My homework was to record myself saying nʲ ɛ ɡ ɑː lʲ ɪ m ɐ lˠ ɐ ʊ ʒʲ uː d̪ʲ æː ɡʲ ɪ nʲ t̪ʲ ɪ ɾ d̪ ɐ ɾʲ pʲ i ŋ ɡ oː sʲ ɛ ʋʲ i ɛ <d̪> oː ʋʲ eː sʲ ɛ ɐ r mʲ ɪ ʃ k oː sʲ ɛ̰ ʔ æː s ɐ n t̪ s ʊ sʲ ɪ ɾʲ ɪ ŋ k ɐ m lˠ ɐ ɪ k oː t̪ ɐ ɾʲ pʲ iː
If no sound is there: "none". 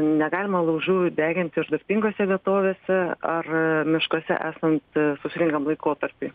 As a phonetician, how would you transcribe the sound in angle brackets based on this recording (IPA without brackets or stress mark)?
t̪